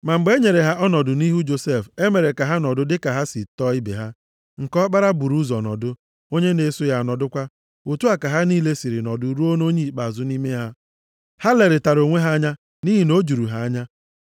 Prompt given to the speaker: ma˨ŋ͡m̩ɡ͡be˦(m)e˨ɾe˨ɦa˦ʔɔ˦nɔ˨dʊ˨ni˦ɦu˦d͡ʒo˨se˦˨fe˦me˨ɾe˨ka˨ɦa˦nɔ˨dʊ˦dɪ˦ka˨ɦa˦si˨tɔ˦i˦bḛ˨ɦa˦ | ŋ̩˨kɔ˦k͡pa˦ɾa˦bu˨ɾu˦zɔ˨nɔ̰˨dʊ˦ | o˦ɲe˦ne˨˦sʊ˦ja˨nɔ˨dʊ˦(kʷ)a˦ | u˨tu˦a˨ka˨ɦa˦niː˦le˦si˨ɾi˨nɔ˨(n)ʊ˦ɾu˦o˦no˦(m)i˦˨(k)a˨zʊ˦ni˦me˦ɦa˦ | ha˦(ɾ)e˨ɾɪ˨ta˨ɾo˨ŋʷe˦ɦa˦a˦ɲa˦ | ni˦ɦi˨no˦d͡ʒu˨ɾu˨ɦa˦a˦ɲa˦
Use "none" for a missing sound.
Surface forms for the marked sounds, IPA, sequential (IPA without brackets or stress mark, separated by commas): ɲ, kʷ, d, ɲ, k͡p, l